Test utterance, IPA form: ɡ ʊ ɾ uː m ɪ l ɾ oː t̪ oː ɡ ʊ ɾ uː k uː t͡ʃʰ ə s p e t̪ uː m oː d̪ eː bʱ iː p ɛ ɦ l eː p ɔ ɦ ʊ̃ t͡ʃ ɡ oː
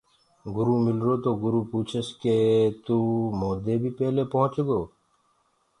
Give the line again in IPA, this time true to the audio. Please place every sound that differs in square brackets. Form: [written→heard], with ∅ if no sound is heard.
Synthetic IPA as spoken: ɡ ʊ ɾ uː m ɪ l ɾ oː t̪ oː ɡ ʊ ɾ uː [k→p] uː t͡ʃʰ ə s [p→k] e t̪ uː m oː d̪ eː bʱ iː p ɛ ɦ l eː p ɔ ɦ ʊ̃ t͡ʃ ɡ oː

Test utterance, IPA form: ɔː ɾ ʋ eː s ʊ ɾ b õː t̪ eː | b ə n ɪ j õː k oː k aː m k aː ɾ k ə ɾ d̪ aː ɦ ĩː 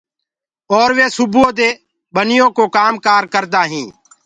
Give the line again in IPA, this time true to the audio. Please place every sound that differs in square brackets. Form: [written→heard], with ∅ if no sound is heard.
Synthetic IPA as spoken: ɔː ɾ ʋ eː s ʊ [ɾ→∅] b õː [t̪→d̪] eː | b ə n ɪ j õː k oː k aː m k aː ɾ k ə ɾ d̪ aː ɦ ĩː

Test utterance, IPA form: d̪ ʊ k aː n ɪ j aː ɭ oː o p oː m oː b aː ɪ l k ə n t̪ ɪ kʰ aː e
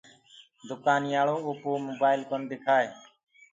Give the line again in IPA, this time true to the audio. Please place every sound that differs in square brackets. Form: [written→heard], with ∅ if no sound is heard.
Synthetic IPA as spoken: d̪ ʊ k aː n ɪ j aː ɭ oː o p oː m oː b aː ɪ l k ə n [t̪→d̪] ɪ kʰ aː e

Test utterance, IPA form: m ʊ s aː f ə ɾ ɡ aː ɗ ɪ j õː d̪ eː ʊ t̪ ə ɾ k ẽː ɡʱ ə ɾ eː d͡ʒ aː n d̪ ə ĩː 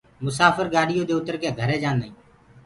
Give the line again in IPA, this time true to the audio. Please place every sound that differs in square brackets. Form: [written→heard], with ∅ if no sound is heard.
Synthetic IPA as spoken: m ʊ s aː f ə ɾ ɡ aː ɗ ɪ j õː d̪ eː ʊ t̪ ə ɾ k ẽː ɡʱ ə ɾ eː d͡ʒ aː n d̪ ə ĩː

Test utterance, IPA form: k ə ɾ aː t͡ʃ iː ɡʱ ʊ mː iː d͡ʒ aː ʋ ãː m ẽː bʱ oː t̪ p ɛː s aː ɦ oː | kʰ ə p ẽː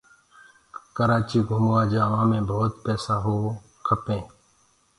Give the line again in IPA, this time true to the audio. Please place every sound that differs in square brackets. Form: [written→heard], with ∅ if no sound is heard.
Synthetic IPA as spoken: k ə ɾ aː t͡ʃ iː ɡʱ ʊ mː [iː→aː] d͡ʒ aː ʋ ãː m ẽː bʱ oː t̪ p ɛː s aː ɦ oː | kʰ ə p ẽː

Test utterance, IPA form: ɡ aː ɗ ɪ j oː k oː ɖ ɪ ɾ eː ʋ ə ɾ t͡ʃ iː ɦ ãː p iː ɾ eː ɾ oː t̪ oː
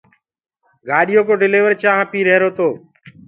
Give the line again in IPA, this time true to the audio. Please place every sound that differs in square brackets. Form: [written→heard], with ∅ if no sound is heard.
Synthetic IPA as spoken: ɡ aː ɗ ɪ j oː k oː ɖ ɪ [ɾ→l] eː ʋ ə ɾ t͡ʃ [iː→aː] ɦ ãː p iː ɾ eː ɾ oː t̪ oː

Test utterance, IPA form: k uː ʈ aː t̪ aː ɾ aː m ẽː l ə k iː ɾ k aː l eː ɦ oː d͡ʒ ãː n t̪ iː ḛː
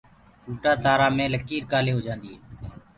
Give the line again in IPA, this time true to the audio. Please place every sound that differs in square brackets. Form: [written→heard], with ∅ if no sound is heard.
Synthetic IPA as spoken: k uː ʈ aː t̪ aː ɾ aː m ẽː l ə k iː ɾ k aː l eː ɦ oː d͡ʒ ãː n [t̪→d̪] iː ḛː

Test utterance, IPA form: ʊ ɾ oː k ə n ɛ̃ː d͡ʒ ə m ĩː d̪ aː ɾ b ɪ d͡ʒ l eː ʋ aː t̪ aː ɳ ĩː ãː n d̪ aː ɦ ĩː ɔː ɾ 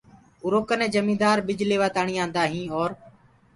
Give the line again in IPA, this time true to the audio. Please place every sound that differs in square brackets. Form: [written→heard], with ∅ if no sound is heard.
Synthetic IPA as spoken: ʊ ɾ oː k ə n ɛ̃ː d͡ʒ ə m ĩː d̪ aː ɾ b ɪ d͡ʒ l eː ʋ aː t̪ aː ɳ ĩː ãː n d̪ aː ɦ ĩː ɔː ɾ

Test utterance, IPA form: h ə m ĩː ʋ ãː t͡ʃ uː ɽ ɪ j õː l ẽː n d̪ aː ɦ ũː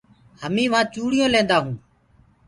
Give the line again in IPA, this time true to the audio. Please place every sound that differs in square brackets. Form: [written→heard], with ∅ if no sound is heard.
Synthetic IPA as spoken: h ə m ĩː ʋ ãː t͡ʃ uː ɽ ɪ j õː l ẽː n d̪ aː ɦ ũː

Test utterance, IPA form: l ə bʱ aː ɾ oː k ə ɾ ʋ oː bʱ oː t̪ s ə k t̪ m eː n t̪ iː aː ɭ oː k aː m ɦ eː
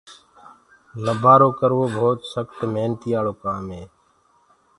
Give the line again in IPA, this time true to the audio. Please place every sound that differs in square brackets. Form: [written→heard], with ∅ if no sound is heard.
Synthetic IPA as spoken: l ə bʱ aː ɾ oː k ə ɾ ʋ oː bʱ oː t̪ s ə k t̪ m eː n t̪ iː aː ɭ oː k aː m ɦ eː

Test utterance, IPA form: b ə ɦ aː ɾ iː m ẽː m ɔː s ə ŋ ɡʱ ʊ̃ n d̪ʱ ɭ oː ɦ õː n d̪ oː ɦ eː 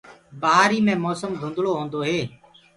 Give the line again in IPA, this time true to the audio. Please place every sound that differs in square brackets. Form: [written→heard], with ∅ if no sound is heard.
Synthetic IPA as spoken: b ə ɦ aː ɾ iː m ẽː m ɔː s ə [ŋ→m] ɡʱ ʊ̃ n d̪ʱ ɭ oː ɦ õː n d̪ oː ɦ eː

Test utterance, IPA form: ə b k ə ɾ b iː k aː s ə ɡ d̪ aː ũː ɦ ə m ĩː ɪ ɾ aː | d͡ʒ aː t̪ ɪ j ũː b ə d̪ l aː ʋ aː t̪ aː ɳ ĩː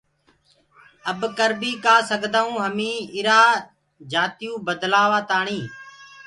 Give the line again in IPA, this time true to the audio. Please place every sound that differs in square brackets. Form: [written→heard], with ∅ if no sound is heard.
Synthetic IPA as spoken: ə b k ə ɾ b iː k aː s ə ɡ d̪ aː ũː ɦ ə m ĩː ɪ ɾ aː | d͡ʒ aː t̪ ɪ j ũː b ə d̪ l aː ʋ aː t̪ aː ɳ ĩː

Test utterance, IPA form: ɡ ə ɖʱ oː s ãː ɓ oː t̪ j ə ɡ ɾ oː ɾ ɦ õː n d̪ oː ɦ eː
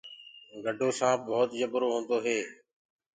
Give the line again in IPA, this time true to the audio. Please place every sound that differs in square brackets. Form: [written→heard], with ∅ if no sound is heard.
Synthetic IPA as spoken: ɡ ə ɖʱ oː s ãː [ɓ→b] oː t̪ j ə [ɡ→b] ɾ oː [ɾ→∅] ɦ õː n d̪ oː ɦ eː

